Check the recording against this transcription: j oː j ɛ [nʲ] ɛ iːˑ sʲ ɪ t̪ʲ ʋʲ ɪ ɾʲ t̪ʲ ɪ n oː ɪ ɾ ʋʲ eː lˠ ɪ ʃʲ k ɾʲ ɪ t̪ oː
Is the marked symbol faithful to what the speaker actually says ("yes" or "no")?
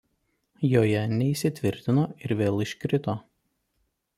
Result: yes